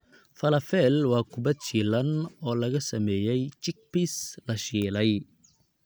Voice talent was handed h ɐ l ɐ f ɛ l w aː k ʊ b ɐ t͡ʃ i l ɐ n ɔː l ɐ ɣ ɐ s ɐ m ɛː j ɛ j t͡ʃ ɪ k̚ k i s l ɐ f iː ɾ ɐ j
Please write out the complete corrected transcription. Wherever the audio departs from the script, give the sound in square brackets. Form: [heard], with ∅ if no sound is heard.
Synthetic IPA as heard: [f] ɐ l ɐ f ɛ l w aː k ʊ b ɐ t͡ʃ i l ɐ n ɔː l ɐ ɣ ɐ s ɐ m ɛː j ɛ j t͡ʃ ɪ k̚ [p] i s l ɐ [ʃ] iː [l] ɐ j